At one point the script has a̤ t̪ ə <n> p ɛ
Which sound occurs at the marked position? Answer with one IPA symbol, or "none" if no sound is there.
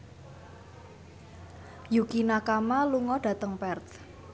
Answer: ŋ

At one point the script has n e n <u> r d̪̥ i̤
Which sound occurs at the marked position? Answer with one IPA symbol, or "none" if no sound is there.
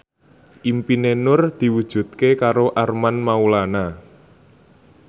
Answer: ʊ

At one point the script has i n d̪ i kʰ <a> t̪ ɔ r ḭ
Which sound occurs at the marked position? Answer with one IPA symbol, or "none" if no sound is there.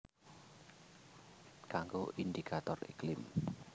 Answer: a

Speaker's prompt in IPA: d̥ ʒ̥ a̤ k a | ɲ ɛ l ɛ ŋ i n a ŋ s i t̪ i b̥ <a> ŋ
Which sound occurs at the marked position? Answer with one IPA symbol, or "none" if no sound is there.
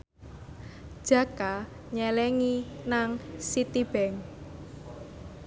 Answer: ɛ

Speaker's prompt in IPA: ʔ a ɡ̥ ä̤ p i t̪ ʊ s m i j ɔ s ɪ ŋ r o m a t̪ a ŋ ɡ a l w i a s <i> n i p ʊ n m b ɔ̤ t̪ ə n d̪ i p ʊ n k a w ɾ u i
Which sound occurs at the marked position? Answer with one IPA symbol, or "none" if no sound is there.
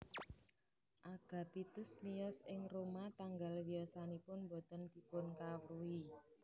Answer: a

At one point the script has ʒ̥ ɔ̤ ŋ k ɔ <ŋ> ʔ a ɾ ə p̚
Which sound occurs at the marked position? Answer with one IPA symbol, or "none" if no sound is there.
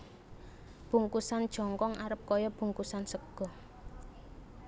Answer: ŋ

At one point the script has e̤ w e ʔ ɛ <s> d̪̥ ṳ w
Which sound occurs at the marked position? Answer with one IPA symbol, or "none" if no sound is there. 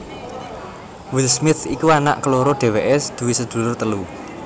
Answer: s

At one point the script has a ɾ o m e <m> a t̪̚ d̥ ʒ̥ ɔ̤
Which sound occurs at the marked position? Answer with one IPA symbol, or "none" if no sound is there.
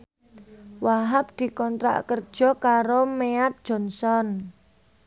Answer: none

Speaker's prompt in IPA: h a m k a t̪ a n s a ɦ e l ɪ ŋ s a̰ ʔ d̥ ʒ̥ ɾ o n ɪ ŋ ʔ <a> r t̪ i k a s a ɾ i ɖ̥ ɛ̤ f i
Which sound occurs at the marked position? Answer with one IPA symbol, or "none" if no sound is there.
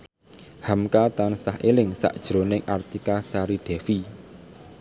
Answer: a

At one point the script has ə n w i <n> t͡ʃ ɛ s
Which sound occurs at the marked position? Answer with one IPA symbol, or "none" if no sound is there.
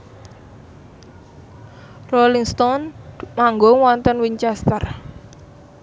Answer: ɲ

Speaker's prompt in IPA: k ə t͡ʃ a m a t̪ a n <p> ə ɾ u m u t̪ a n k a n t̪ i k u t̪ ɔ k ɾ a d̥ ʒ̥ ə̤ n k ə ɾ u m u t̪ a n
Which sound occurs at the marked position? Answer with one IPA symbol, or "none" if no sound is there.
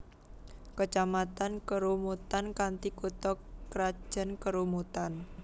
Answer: k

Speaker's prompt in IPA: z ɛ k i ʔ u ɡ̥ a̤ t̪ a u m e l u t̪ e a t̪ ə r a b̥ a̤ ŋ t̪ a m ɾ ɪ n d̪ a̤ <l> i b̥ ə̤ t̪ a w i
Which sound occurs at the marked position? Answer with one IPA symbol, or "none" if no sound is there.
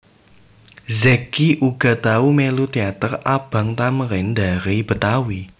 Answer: ɾ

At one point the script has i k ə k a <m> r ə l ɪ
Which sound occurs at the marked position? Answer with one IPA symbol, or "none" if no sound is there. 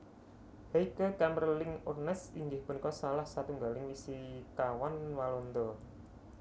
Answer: m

